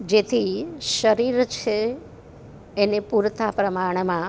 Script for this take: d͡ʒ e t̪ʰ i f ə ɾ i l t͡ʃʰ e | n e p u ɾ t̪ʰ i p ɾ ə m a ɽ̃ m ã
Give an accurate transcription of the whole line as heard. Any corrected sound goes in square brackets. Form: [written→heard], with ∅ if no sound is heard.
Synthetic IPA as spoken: d͡ʒ e t̪ʰ i [f→ʃ] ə ɾ i [l→ɾ] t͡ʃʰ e | n e p u ɾ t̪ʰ [i→a] p ɾ ə m a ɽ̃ m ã